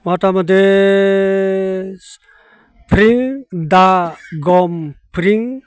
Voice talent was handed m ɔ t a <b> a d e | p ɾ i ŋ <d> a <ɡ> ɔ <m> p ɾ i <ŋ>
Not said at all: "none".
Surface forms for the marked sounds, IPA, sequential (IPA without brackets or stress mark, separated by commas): m, d, ɡ, m, ŋ